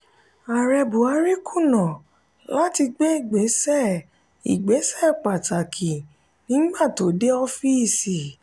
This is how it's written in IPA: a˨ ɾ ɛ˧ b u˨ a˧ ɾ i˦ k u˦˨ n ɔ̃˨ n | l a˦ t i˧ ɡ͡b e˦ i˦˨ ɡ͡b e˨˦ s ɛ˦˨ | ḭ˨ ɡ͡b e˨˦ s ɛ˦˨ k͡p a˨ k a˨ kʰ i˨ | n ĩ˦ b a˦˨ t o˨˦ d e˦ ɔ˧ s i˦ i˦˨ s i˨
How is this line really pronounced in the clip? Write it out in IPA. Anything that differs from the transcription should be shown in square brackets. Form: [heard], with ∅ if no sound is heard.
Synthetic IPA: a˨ ɾ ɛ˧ b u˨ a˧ ɾ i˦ k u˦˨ n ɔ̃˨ [∅] | l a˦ t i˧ ɡ͡b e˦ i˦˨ ɡ͡b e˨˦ s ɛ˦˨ | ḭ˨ ɡ͡b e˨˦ s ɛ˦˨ k͡p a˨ [t] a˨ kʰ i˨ | n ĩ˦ [ɡ͡b] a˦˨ t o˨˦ d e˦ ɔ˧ [f] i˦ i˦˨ s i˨